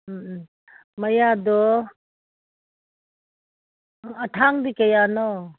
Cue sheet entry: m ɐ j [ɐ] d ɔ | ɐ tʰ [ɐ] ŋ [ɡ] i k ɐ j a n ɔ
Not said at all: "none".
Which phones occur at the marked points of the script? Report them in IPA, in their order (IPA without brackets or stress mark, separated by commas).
a, a, d